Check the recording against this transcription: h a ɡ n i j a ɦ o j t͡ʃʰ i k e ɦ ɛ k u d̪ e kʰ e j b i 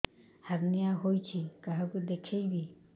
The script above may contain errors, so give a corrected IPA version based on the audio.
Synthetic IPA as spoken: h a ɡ n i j a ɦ o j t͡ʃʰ i k a ɦ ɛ k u d̪ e kʰ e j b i